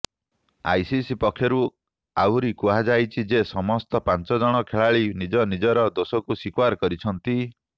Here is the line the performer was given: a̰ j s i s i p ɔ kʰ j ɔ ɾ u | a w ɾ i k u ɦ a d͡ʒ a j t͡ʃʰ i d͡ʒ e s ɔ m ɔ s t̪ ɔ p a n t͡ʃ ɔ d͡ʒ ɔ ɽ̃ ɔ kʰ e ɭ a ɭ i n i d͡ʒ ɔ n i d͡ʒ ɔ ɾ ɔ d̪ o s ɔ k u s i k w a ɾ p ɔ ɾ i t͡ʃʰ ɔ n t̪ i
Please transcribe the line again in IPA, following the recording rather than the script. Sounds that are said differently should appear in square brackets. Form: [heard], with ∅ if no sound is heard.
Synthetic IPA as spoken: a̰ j s i s i p ɔ kʰ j ɔ ɾ u | a w ɾ i k u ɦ a d͡ʒ a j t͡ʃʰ i d͡ʒ e s ɔ m ɔ s t̪ ɔ p a n t͡ʃ ɔ d͡ʒ ɔ ɽ̃ ɔ kʰ e ɭ a ɭ i n i d͡ʒ ɔ n i d͡ʒ ɔ ɾ ɔ d̪ o s ɔ k u s i k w a ɾ [k] ɔ ɾ i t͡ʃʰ ɔ n t̪ i